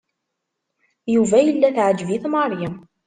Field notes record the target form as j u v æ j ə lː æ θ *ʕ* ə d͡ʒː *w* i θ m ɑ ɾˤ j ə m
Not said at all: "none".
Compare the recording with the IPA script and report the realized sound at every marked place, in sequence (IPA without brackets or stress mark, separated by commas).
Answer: ʕ, v